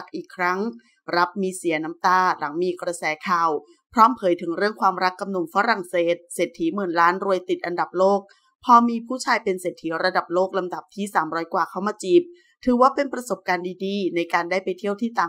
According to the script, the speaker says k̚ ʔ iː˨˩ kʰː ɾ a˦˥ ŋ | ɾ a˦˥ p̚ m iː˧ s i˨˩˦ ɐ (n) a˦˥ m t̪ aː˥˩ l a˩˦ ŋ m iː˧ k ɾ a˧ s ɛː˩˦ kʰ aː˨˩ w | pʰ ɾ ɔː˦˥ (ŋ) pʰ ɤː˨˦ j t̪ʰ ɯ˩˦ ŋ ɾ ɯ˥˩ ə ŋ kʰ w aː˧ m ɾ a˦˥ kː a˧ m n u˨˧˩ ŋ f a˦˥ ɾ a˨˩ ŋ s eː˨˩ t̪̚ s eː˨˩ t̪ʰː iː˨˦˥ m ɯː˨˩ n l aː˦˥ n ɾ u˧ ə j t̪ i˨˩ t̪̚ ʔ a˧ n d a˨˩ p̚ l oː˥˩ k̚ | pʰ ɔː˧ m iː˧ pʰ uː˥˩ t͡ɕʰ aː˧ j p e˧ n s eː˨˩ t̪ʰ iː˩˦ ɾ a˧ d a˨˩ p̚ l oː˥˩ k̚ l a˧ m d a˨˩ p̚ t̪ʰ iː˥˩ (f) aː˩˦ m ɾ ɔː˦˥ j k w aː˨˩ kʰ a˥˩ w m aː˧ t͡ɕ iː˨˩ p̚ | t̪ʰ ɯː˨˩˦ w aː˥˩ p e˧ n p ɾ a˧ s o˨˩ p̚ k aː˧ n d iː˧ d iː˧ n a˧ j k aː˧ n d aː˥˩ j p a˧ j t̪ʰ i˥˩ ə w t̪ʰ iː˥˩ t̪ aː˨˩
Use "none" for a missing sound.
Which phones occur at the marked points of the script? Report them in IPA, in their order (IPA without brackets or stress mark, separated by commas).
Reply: n, m, s